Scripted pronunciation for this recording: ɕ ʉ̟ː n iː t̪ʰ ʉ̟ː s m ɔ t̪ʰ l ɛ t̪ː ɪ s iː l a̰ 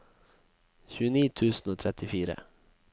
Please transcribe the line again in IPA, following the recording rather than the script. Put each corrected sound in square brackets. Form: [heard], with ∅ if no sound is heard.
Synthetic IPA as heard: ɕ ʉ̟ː n iː t̪ʰ ʉ̟ː s [n] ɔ t̪ʰ [ɾ] ɛ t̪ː ɪ [f] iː [ɾ] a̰